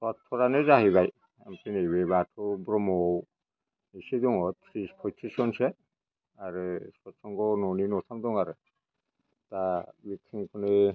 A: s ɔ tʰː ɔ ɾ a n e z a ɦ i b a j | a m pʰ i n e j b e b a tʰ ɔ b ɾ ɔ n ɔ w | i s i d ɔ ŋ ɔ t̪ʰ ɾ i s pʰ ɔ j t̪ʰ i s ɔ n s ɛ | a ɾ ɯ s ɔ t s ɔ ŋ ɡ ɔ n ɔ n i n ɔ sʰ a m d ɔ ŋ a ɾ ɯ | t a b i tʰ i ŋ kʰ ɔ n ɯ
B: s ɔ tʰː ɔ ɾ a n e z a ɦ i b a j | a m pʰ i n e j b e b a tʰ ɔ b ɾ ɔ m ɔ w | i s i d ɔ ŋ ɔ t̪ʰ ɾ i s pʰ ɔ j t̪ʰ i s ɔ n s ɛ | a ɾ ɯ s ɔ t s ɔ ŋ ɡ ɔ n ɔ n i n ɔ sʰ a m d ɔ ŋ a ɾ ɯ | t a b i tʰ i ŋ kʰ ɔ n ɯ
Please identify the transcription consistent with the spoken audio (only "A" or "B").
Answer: B